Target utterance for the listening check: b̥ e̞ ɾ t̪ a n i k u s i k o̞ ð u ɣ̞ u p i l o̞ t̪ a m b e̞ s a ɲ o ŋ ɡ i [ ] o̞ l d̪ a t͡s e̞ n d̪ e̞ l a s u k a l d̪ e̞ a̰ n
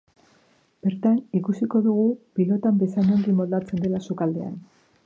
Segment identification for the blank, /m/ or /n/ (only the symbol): m